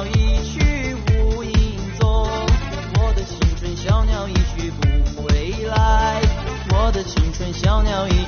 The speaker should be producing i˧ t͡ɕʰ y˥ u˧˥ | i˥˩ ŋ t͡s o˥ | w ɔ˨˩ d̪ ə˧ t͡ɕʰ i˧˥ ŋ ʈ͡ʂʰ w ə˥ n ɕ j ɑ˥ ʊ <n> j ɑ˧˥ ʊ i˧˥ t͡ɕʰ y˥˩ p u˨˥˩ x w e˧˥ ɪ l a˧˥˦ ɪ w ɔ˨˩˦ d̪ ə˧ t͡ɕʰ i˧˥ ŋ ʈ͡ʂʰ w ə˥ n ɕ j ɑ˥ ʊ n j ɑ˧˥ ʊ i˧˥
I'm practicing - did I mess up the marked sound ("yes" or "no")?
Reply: no